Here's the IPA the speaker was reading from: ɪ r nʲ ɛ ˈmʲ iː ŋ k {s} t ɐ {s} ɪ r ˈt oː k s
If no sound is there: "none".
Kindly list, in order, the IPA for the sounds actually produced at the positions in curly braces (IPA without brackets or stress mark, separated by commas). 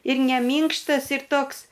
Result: ʃ, s